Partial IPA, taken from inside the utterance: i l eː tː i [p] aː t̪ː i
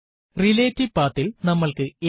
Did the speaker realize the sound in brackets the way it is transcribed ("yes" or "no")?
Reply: yes